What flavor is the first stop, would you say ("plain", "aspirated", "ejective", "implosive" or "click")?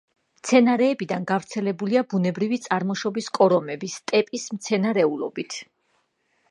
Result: plain